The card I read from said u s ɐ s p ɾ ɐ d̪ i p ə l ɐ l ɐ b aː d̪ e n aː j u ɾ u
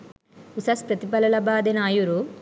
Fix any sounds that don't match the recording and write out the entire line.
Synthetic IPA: u s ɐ s p ɾ ɐ t̪ i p ɐ l ɐ l ɐ b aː d̪ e n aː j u ɾ u